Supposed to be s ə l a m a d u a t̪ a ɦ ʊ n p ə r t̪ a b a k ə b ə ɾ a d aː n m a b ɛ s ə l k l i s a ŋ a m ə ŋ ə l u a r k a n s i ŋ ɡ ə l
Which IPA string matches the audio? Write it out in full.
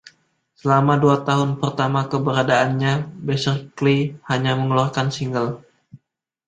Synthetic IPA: s ə l a m a d u a t̪ a ɦ ʊ n p ə r t̪ a m a k ə b ə ɾ a d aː n ɲ a b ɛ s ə r k l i h a ɲ a m ə ŋ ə l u a r k a n s i ŋ ɡ ə l